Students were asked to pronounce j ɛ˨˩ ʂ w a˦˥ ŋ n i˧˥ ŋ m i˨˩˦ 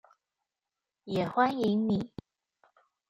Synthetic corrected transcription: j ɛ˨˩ x w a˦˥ n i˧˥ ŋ n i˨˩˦

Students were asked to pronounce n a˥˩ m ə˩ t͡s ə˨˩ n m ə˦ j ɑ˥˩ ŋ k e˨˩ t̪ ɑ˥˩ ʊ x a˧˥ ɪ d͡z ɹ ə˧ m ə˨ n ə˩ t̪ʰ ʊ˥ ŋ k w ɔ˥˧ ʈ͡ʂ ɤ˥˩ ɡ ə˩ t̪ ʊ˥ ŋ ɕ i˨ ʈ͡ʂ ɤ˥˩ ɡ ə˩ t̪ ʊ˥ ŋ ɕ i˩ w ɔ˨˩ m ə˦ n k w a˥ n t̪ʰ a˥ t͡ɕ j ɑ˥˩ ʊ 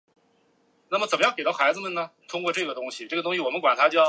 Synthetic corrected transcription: n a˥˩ m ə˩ t͡s ə˨˩ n m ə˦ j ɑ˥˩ ŋ k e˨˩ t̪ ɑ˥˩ ʊ x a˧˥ ɪ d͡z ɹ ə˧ m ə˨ n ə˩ t̪ʰ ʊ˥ ŋ k w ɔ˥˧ ʈ͡ʂ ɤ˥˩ ɡ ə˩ t̪ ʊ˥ ŋ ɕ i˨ ʈ͡ʂ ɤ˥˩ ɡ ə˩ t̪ ʊ˥ ŋ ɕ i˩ w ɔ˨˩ m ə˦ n k w a˨˩ n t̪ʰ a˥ t͡ɕ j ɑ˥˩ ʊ

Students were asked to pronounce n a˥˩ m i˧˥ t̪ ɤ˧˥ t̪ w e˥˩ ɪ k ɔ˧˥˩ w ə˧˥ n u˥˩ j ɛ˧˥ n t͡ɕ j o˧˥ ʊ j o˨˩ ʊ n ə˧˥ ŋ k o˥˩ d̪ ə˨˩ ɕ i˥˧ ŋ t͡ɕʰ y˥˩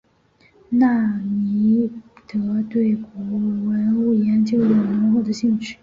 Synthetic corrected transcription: n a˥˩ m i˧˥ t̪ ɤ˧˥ t̪ w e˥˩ ɪ k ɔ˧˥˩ w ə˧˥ n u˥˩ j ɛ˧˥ n t͡ɕ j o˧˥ ʊ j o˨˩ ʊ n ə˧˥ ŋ x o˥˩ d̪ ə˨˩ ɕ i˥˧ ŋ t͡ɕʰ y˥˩

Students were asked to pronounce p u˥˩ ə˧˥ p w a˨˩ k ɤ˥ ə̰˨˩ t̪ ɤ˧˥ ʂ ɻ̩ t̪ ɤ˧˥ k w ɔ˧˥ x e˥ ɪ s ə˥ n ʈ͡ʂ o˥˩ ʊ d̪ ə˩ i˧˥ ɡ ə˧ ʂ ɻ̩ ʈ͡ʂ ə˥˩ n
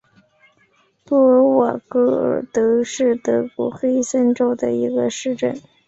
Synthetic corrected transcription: p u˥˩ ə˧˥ w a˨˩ k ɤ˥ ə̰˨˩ t̪ ɤ˧˥ ʂ ɻ̩ t̪ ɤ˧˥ k w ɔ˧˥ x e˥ ɪ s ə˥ n ʈ͡ʂ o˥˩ ʊ d̪ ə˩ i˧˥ ɡ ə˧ ʂ ɻ̩ ʈ͡ʂ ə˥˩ n

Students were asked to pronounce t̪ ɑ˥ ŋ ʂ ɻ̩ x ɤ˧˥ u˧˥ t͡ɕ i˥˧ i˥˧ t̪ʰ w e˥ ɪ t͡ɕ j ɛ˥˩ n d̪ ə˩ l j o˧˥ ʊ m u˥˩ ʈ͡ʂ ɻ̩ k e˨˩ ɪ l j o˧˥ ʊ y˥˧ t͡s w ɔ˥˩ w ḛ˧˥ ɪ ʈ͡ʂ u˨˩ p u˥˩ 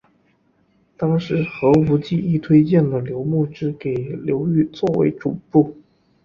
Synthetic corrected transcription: t̪ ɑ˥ ŋ ʂ ɻ̩ x ɤ˧˥ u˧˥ t͡ɕ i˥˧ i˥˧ t̪ʰ w e˥ ɪ t͡ɕ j ɛ˥˩ n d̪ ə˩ l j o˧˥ ʊ m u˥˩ ʈ͡ʂ ɻ̩ k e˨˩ ɪ l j o˧˥ ʊ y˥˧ t͡s w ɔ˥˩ w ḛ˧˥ ɪ ʈ͡ʂ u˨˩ p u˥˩

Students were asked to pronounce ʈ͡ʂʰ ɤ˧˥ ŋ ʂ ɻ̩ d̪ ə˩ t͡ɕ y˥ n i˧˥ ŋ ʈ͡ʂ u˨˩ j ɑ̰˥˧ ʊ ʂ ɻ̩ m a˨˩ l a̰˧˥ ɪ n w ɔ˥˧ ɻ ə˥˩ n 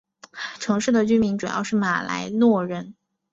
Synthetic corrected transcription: ʈ͡ʂʰ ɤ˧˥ ŋ ʂ ɻ̩ d̪ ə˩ t͡ɕ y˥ m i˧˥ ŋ ʈ͡ʂ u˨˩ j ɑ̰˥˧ ʊ ʂ ɻ̩ m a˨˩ l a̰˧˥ ɪ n w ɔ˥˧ ɻ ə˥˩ n

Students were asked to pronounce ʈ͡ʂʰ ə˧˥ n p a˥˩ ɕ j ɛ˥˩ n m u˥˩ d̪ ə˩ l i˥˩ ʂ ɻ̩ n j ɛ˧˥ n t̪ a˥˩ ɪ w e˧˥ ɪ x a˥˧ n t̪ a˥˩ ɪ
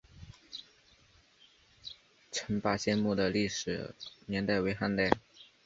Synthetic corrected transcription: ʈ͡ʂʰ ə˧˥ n p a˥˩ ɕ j ɛ˥˧ n m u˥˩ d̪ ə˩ l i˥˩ ʂ ɻ̩ n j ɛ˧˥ n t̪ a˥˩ ɪ w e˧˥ ɪ x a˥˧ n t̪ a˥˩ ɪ

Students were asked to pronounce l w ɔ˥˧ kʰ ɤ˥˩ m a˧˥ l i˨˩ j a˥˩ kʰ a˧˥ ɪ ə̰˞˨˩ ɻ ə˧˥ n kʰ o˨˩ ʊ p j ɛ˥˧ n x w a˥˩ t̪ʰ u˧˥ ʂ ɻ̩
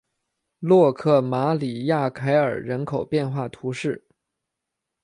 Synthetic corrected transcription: l w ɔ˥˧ kʰ ɤ˥˩ m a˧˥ l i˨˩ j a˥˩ kʰ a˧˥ ɪ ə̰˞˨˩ ɻ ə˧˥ n kʰ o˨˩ ʊ p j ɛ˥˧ n x w a˥˩ t̪ʰ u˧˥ ʂ ɻ̩

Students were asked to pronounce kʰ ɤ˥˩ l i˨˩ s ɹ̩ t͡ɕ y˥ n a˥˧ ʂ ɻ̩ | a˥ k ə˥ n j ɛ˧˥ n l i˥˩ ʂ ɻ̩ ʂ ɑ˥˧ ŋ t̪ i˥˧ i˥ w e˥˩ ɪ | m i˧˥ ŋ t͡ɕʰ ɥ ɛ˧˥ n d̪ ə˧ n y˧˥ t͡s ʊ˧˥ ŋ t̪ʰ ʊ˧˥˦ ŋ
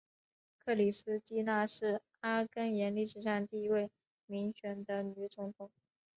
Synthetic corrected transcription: kʰ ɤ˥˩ l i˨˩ s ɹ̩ t͡ɕ i˥ n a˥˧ ʂ ɻ̩ | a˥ k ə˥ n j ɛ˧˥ n l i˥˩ ʂ ɻ̩ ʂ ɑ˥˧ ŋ t̪ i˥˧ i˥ w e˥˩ ɪ | m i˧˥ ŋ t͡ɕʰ ɥ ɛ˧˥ n d̪ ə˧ n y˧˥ t͡s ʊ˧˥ ŋ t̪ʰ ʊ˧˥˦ ŋ

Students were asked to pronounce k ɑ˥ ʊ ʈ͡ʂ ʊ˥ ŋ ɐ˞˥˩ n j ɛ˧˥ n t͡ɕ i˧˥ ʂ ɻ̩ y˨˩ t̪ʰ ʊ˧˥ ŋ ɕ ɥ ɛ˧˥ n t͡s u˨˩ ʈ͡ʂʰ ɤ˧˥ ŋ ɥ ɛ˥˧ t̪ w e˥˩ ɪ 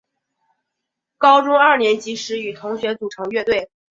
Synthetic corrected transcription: k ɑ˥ ʊ ʈ͡ʂ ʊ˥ ŋ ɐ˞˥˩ n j ɛ˧˥ n t͡ɕ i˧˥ ʂ ɻ̩ y˨˩ t̪ʰ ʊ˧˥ ŋ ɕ ɥ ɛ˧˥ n t͡s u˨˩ ʈ͡ʂʰ ɤ˧˥ ŋ ɥ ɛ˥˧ t̪ w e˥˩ ɪ

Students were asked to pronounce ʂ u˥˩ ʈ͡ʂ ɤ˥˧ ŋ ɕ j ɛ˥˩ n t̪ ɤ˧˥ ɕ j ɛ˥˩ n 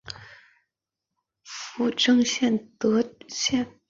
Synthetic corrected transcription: f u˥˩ ʈ͡ʂ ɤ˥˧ ŋ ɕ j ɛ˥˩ n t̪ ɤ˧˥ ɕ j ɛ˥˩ n

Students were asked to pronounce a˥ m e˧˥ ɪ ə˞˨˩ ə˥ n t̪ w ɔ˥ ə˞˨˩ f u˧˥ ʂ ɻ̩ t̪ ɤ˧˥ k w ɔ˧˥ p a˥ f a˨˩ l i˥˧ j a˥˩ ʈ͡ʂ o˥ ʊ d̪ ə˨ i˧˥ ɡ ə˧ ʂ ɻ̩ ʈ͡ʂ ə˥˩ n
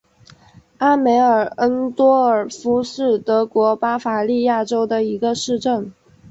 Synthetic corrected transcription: a˥ m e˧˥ ɪ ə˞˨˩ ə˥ n t̪ w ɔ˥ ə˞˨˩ f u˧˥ ʂ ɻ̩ t̪ ɤ˧˥ k w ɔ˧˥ p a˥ f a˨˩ l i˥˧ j a˥˩ ʈ͡ʂ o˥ ʊ d̪ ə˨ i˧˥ ɡ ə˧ ʂ ɻ̩ ʈ͡ʂ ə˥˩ n

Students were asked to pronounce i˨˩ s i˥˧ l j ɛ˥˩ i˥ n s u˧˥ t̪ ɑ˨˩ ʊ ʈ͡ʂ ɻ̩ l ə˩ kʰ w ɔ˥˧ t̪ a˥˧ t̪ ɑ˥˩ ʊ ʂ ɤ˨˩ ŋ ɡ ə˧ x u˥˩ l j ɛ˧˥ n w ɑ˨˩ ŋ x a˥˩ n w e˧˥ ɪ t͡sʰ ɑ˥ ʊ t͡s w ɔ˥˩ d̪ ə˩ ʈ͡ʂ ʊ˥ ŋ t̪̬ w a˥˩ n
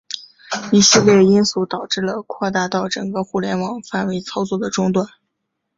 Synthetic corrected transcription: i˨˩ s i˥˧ l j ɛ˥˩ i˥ n s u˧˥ t̪ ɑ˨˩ ʊ ʈ͡ʂ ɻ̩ l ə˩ kʰ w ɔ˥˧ t̪ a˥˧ t̪ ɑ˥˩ ʊ ʈ͡ʂ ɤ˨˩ ŋ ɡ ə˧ x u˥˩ l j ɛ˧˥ n w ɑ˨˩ ŋ f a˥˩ n w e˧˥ ɪ t͡sʰ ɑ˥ ʊ t͡s w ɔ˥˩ d̪ ə˩ ʈ͡ʂ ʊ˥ ŋ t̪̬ w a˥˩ n

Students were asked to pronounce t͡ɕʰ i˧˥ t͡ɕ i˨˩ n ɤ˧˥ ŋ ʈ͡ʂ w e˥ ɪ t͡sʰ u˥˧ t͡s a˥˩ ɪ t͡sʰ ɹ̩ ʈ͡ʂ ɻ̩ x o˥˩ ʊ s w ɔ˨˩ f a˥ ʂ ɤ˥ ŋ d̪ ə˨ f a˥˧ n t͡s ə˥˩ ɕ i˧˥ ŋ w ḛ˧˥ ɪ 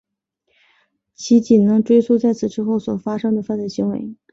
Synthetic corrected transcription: t͡ɕʰ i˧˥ t͡ɕ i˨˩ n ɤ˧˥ ŋ ʈ͡ʂ w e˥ ɪ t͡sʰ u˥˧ t͡s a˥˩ ɪ t͡sʰ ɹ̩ ʈ͡ʂ ɻ̩ x o˥˩ ʊ s w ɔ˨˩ f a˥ ʂ ɤ˥ ŋ d̪ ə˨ f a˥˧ n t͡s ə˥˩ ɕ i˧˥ ŋ w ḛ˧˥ ɪ

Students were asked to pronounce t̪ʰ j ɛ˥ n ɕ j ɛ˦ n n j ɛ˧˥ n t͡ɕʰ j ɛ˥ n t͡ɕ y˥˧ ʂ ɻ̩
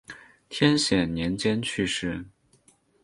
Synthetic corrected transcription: t̪ʰ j ɛ˥ n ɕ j ɛ˨˩ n n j ɛ˧˥ n t͡ɕ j ɛ˥ n t͡ɕʰ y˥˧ ʂ ɻ̩

